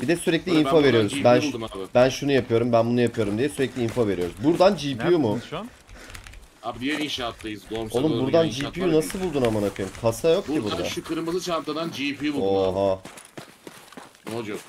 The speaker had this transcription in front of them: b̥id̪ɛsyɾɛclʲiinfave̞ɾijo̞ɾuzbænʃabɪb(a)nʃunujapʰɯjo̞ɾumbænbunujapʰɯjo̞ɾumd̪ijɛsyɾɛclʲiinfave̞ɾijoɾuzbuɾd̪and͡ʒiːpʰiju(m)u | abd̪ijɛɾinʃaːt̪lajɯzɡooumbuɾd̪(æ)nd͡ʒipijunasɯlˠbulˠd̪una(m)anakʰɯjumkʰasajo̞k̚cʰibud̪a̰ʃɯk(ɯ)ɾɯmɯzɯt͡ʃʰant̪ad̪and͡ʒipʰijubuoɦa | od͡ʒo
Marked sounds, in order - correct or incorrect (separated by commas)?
incorrect, correct, incorrect, correct, correct